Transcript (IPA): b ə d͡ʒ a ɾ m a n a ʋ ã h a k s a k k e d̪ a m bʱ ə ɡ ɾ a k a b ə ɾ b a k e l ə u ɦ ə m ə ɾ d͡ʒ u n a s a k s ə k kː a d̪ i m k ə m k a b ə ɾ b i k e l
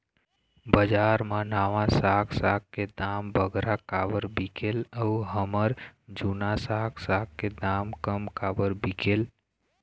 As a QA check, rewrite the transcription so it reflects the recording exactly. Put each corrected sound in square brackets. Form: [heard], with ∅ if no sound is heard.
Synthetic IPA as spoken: b ə d͡ʒ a ɾ m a n a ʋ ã [s] a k s a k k e d̪ a m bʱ ə ɡ ɾ a k a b ə ɾ b [i] k e l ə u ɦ ə m ə ɾ d͡ʒ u n a s a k s [a] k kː [e] d̪ [a] m k ə m k a b ə ɾ b i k e l

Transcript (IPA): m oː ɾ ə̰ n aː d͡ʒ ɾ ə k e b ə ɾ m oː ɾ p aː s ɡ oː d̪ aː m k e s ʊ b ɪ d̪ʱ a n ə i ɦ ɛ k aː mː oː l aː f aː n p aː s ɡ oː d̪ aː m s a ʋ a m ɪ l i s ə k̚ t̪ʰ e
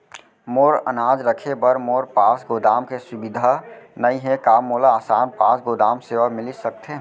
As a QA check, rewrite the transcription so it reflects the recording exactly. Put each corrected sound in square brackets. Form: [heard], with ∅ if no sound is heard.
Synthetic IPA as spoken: m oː ɾ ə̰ n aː d͡ʒ ɾ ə [kʰ] e b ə ɾ m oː ɾ p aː s ɡ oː d̪ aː m k e s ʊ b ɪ d̪ʱ a n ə i ɦ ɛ k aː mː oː l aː [s] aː n p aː s ɡ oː d̪ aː m s [e] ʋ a m ɪ l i s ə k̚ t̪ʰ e

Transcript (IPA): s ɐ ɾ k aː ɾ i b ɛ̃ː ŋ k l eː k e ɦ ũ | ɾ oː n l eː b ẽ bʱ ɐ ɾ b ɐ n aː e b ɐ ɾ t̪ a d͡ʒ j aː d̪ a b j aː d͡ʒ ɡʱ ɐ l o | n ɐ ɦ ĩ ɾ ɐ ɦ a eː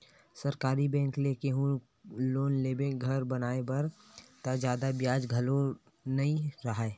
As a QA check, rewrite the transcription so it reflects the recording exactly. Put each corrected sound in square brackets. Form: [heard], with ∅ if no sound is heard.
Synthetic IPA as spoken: s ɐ ɾ k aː ɾ i b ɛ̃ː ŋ k l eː k e ɦ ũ | [l] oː n l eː b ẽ [ɡʱ] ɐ ɾ b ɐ n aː e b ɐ ɾ t̪ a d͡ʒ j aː d̪ a b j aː d͡ʒ ɡʱ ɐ l o | n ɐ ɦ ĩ ɾ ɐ ɦ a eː

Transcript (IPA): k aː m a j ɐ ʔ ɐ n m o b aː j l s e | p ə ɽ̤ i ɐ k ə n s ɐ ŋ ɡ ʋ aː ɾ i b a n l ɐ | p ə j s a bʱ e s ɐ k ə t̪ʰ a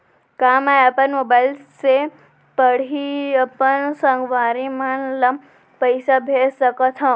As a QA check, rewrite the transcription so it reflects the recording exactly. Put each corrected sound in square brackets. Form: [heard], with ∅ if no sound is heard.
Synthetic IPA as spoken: k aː m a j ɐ [p] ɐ n m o b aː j l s e | p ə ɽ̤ i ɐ [p] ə n s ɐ ŋ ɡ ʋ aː ɾ i [m] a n l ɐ | p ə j s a bʱ e s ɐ k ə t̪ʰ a

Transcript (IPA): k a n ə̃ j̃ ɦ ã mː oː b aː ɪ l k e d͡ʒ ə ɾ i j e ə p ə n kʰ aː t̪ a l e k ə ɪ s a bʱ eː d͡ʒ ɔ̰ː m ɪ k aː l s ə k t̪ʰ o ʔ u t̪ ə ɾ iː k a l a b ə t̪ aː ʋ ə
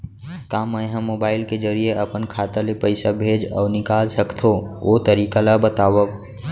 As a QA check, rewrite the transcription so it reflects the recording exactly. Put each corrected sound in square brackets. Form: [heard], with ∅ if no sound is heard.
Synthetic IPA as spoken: k a [m] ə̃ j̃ ɦ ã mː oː b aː ɪ l k e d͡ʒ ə ɾ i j e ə p ə n kʰ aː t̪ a l e [p] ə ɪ s a bʱ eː d͡ʒ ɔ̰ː [n] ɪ k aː l s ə k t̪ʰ o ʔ [o] t̪ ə ɾ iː k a l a b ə t̪ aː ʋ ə

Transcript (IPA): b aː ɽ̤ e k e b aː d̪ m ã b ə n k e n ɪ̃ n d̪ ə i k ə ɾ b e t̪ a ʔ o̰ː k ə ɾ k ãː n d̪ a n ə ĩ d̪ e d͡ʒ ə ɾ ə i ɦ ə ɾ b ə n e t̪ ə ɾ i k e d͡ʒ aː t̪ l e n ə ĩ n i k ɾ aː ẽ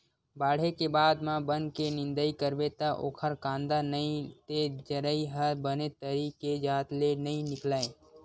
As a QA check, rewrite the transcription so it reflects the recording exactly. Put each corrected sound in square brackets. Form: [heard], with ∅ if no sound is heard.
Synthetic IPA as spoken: b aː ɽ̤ e k e b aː d̪ m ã b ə n k e n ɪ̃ n d̪ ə i k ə ɾ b e t̪ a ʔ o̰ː [kʰ] ə ɾ k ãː n d̪ a n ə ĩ [t̪] e d͡ʒ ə ɾ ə i ɦ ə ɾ b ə n e t̪ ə ɾ i k e d͡ʒ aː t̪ l e n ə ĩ n [ɪ] k [l] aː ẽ

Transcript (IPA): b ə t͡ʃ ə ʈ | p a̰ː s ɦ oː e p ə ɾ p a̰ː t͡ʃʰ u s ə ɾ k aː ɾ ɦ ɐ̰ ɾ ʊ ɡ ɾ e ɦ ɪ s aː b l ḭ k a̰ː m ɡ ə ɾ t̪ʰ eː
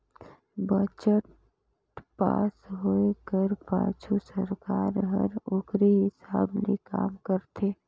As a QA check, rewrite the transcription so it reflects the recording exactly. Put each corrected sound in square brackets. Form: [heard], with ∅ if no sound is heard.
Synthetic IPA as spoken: b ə t͡ʃ ə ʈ | p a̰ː s ɦ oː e [k] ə ɾ p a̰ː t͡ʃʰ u s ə ɾ k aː ɾ ɦ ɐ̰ ɾ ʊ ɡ ɾ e ɦ ɪ s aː b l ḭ k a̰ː m [k] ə ɾ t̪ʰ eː

